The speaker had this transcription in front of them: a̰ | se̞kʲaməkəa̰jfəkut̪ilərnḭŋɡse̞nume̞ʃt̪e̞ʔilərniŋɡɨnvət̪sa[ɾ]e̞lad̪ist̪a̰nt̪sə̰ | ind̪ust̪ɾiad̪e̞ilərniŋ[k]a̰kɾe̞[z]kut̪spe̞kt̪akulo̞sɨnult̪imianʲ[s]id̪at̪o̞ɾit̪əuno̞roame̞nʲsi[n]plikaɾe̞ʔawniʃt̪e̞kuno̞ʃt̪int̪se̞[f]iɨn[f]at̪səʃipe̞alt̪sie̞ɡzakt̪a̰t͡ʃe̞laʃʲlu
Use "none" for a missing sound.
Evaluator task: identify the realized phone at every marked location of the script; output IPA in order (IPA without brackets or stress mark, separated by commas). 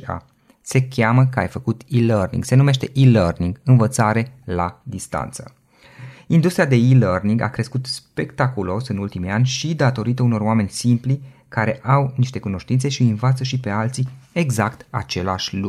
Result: ɾ, ɡ, s, ʃ, m, ʃ, v